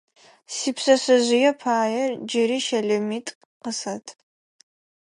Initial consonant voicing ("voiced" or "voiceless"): voiceless